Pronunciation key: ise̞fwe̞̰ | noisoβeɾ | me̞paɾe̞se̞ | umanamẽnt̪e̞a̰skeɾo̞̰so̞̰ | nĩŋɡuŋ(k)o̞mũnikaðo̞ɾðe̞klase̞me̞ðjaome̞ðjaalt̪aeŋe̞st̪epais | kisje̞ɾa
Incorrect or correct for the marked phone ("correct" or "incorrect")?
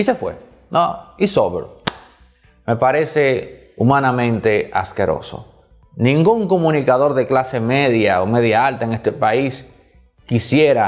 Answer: correct